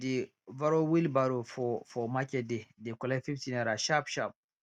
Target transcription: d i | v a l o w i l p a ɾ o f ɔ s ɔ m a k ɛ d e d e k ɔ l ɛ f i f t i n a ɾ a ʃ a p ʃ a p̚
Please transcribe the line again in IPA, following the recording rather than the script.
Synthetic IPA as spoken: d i | v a ɾ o w i l b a ɾ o f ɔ f ɔ m a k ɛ d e d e k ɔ l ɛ f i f t i n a ɾ a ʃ a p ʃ a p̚